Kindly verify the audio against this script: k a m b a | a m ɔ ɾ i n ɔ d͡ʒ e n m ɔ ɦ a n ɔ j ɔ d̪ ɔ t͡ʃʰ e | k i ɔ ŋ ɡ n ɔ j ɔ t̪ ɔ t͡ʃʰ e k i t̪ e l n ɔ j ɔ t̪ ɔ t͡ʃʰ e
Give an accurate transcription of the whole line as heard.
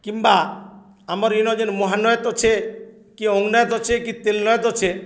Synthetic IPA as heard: k i m b a | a m ɔ ɾ i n ɔ d͡ʒ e n m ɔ ɦ a n ɔ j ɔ t̪ ɔ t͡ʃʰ e | k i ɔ ŋ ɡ n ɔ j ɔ t̪ ɔ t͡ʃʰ e k i t̪ e l n ɔ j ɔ t̪ ɔ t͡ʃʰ e